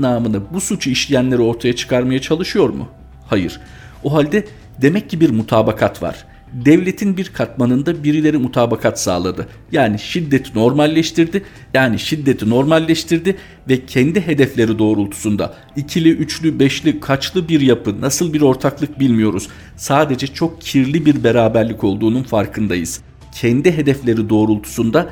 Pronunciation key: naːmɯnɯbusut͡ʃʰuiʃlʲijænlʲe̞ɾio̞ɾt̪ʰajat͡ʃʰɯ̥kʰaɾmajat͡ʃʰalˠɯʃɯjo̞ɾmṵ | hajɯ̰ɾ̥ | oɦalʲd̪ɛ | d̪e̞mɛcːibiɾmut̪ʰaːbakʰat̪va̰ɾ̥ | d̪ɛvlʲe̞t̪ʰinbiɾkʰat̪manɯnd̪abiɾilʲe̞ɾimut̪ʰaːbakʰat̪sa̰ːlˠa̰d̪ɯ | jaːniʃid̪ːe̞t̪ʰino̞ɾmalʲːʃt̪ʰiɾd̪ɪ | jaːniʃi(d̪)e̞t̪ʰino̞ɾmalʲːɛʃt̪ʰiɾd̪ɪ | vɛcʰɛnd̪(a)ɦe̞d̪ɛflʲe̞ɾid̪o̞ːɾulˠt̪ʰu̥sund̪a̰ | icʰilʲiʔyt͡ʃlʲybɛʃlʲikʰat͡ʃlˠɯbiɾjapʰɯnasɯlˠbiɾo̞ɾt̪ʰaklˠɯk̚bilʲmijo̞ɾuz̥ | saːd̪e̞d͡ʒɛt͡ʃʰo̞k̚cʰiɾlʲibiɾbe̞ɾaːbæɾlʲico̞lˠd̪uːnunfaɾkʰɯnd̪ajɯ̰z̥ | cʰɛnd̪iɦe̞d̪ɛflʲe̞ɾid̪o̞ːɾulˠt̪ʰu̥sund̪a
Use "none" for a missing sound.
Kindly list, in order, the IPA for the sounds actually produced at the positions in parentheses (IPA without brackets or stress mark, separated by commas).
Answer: d̪ː, i